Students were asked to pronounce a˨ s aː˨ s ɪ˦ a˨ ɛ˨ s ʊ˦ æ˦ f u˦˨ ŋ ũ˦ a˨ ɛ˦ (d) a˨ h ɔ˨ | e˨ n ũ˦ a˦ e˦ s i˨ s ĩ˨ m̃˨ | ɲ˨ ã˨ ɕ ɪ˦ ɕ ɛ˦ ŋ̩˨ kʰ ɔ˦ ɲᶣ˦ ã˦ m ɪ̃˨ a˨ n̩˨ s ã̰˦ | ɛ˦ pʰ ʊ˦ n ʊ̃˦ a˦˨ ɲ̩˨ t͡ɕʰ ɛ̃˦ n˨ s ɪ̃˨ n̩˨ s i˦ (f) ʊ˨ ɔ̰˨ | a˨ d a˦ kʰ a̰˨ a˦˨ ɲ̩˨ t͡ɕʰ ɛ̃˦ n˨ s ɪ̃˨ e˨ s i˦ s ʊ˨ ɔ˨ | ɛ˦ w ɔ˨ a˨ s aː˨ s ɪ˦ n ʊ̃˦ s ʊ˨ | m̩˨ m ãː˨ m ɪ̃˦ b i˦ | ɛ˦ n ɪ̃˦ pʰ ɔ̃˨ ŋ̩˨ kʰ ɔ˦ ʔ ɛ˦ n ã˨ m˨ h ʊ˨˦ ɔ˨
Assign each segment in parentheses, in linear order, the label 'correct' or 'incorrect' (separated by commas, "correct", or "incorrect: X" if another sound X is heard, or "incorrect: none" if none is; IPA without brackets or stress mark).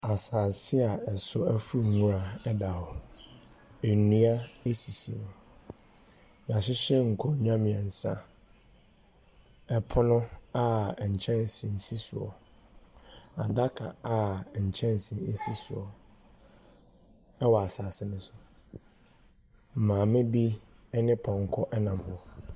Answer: correct, incorrect: s